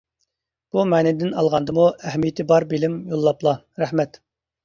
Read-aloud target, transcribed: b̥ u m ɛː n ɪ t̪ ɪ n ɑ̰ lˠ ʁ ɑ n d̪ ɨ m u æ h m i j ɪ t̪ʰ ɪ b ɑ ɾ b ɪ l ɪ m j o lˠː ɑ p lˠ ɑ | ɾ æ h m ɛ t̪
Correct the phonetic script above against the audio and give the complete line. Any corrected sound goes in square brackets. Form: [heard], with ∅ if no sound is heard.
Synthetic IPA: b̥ u m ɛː n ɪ [d̪] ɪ n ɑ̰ lˠ ʁ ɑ n d̪ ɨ m u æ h m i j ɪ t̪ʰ ɪ b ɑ ɾ b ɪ l ɪ m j o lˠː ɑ p lˠ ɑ | ɾ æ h m ɛ t̪